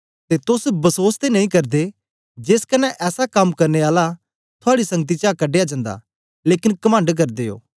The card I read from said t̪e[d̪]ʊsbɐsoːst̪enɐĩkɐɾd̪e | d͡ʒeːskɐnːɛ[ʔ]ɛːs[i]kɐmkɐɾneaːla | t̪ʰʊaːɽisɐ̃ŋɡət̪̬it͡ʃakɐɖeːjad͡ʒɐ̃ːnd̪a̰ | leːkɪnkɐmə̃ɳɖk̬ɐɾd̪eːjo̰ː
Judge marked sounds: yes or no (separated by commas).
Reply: no, yes, no